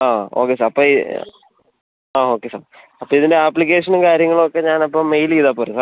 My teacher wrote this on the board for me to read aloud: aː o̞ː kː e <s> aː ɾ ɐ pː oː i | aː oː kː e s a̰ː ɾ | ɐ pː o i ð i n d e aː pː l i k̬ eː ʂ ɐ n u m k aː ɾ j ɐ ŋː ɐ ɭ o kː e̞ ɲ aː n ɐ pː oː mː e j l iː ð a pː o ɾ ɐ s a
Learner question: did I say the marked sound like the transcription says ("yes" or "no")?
yes